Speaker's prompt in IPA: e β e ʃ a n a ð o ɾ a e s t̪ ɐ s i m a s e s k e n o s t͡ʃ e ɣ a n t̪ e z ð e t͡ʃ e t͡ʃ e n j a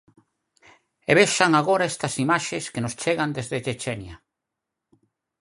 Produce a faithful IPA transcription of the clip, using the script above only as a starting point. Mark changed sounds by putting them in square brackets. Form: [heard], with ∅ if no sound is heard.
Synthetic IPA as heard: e β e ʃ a [ŋ] a [ɣ] o ɾ a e s t̪ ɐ s i m a [ʃ] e s k e n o s t͡ʃ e ɣ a n [d̪] e z ð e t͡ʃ e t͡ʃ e n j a